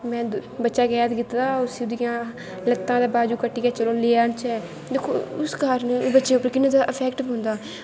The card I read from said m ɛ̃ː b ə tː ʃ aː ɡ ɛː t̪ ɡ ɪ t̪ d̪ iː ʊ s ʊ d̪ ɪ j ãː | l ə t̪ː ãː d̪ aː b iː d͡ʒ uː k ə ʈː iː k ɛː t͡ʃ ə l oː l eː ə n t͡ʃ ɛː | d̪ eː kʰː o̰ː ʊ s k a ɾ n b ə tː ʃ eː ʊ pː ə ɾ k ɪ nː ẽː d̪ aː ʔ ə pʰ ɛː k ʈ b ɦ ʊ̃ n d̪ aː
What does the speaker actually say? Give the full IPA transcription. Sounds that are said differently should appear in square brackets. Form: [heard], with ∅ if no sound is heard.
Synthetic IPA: m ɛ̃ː b ə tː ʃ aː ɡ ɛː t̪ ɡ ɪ t̪ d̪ [aː] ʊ s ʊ d̪ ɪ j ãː | l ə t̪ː ãː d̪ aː b [aː] d͡ʒ uː k ə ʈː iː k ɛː t͡ʃ ə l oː l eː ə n t͡ʃ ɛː | d̪ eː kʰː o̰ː ʊ s k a ɾ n b ə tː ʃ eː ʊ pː ə ɾ k ɪ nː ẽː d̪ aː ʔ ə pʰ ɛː k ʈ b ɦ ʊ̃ n d̪ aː